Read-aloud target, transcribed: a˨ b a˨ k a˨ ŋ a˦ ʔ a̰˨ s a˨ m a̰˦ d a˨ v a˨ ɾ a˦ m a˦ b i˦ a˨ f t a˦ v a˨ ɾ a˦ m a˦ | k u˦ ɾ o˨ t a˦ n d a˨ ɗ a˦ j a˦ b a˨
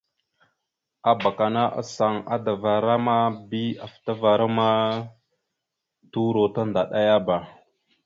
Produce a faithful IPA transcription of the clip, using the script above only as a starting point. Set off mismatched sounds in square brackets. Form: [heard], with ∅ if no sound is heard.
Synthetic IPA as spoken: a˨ b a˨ k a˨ [n] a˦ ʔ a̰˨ s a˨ [ŋ] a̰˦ d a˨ v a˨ ɾ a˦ m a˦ b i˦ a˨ f t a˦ v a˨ ɾ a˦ m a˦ | [t] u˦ ɾ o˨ t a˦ n d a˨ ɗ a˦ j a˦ b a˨